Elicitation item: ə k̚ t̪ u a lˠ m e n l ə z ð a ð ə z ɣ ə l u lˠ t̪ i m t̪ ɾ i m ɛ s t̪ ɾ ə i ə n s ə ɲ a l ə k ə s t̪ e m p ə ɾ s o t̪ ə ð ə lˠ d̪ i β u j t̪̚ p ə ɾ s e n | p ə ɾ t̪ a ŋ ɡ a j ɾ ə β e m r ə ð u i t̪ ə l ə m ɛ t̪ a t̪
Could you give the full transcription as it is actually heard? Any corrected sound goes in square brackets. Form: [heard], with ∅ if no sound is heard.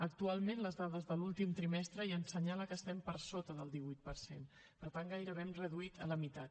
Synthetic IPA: ə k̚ t̪ u a lˠ m e n l ə z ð a ð ə z [ð] ə l u lˠ t̪ i m t̪ ɾ i m ɛ s t̪ ɾ ə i ə n s ə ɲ a l ə k ə s t̪ [ɛ] m p ə ɾ s o t̪ ə ð ə lˠ d̪ i β u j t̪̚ p ə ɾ s e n | p ə ɾ t̪ a ŋ ɡ a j ɾ ə β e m r ə ð u i t̪ ə l ə m [i] t̪ a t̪